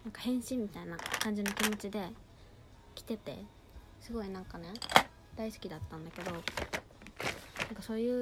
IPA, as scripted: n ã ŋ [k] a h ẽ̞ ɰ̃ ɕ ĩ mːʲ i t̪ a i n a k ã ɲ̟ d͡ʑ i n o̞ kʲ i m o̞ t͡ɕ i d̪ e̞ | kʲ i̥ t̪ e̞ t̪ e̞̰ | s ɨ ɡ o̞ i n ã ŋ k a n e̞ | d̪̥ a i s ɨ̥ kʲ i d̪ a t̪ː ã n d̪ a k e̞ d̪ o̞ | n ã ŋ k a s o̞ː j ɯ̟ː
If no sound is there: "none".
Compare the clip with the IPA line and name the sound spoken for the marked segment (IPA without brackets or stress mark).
k